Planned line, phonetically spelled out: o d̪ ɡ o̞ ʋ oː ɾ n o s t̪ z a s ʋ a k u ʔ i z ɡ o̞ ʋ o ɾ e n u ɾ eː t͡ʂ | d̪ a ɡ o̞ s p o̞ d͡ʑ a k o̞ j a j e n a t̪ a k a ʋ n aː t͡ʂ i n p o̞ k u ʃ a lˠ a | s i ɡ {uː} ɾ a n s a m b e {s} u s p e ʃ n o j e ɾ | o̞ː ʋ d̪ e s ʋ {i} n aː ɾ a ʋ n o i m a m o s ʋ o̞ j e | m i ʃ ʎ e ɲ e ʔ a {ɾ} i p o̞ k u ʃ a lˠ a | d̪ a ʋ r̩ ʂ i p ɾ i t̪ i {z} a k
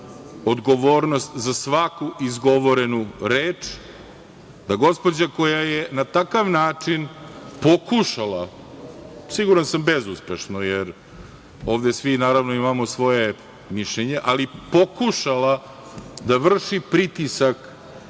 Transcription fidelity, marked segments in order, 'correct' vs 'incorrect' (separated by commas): incorrect, incorrect, correct, incorrect, incorrect